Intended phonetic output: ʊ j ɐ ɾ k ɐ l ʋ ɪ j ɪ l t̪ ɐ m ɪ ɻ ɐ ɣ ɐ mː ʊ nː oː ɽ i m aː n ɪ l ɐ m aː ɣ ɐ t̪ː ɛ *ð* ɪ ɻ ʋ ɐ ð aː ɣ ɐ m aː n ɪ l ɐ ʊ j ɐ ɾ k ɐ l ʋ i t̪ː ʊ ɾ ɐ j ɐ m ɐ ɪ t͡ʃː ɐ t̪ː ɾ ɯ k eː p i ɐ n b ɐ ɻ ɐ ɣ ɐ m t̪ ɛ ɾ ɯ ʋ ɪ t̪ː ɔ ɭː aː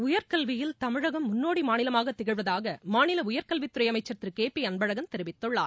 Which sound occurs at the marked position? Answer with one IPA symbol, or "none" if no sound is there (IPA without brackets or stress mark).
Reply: ɣ